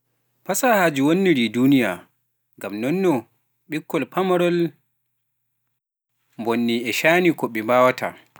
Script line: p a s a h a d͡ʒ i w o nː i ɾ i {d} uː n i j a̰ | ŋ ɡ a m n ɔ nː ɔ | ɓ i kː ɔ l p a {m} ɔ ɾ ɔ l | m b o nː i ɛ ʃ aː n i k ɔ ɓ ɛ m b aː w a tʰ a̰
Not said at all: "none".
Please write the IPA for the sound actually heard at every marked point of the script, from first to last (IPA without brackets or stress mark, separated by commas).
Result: d, m